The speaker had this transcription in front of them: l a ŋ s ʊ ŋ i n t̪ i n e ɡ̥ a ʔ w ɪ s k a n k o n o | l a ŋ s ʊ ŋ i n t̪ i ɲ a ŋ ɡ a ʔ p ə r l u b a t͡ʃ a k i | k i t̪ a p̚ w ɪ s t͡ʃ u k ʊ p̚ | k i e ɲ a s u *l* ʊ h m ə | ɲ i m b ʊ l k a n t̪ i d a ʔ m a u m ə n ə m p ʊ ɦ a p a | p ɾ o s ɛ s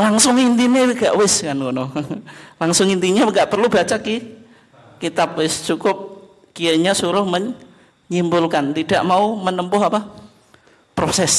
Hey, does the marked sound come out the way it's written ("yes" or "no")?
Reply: no